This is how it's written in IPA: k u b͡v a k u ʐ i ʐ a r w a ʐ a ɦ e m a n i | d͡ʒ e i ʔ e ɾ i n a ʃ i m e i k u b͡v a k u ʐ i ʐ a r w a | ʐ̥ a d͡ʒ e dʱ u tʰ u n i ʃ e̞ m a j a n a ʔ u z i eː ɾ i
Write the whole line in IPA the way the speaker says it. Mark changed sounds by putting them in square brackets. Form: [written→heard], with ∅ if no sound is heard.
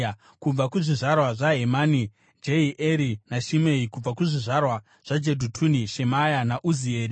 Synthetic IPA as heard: k u b͡v a k u ʐ i ʐ a r w a ʐ a ɦ e m a n i | d͡ʒ e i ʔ e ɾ i n a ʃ i m e i k u b͡v a k u ʐ i ʐ a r w a | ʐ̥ a d͡ʒ e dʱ u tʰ u n i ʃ e̞ m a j a n a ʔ u z i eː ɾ i